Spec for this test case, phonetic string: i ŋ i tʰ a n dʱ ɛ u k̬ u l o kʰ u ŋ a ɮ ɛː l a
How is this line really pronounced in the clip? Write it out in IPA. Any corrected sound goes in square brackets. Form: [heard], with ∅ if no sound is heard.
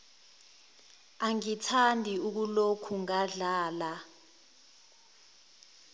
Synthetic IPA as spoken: [a] ŋ i tʰ a n dʱ [i] u k̬ u l o kʰ u ŋ a ɮ [aː] l a